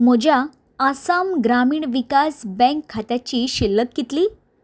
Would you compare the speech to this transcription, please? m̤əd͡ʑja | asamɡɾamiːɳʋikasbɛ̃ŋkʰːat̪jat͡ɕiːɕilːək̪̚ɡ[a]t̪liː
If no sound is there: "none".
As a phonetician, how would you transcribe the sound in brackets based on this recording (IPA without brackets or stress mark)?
i